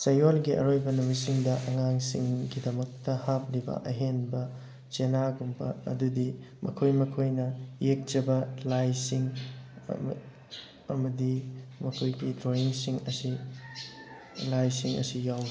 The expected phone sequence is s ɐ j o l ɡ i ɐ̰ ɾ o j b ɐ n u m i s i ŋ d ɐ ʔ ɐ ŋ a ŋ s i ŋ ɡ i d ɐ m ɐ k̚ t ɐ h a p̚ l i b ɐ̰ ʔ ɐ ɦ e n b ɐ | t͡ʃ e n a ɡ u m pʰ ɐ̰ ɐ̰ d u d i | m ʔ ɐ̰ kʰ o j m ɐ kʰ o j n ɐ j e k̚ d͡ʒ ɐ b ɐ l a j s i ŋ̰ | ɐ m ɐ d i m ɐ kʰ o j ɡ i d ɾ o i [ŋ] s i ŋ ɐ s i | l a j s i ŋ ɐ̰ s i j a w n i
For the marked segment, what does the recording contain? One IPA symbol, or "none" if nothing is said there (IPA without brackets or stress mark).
ŋ